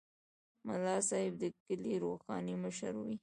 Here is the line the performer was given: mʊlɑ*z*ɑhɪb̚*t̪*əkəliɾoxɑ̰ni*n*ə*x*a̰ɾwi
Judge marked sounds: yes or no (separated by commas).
no, no, no, no